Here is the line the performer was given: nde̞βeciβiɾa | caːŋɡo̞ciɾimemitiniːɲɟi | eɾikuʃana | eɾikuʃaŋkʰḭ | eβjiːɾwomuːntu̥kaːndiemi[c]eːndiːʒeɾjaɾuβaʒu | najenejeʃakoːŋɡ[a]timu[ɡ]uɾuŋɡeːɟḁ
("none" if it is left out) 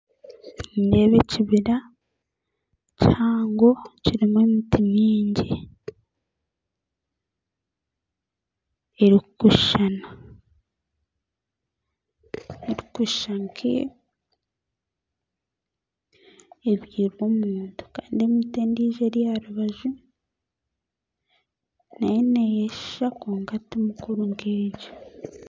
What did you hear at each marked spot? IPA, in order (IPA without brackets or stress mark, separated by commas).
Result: t, a, k